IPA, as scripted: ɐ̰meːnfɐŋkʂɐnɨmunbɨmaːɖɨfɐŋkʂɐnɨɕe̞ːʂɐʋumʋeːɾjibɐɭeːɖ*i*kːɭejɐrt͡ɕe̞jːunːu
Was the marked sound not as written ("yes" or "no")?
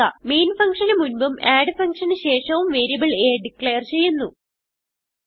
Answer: no